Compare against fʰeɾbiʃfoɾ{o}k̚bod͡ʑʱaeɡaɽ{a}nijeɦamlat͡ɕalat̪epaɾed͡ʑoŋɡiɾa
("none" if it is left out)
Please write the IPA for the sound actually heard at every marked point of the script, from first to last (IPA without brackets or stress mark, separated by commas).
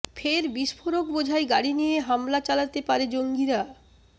o, i